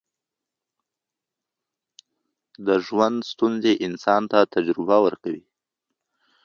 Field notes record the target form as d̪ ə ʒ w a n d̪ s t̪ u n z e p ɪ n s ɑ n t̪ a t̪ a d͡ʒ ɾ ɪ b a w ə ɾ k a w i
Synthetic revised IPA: d̪ ə ʒ w a n d̪ s t̪ u n z e ʔ ɪ n s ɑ n t̪ a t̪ a d͡ʒ ɾ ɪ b a w ə ɾ k a w i